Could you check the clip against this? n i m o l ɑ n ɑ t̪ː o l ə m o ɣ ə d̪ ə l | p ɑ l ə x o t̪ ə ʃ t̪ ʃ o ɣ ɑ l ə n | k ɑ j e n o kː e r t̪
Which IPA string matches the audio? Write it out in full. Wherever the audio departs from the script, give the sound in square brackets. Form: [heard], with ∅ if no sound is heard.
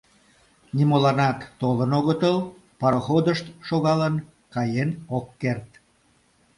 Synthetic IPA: n i m o l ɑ n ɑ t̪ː o l ə [n] o ɣ ə [t̪] ə l | p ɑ [ɾ] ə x o [d̪] ə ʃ t̪ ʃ o ɣ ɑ l ə n | k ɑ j e n o kː e r t̪